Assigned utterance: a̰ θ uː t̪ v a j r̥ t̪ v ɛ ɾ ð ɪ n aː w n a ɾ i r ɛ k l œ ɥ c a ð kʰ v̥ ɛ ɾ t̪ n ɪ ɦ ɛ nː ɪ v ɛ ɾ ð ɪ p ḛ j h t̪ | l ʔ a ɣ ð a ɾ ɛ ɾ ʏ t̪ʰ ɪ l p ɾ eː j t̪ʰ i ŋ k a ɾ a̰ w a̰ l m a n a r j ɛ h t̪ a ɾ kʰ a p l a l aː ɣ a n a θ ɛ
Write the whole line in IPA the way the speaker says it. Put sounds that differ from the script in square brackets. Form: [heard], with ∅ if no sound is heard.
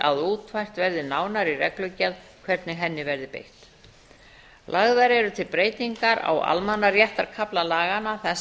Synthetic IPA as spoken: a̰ [ð] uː t̪ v a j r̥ t̪ v ɛ ɾ ð ɪ n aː w n a ɾ i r ɛ k l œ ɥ c a ð kʰ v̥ ɛ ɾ t̪ n ɪ ɦ ɛ nː ɪ v ɛ ɾ ð ɪ p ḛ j h t̪ | l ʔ a ɣ ð a ɾ ɛ ɾ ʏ t̪ʰ ɪ l p ɾ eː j [t̪] i ŋ k a ɾ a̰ w a̰ l m a n a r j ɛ h t̪ a ɾ kʰ a p l a l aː ɣ a n a θ ɛ